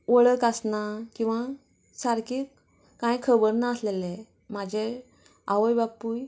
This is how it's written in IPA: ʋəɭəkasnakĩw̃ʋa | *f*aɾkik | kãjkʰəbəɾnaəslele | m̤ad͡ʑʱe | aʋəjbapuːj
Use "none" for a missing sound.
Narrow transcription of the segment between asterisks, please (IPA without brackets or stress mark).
s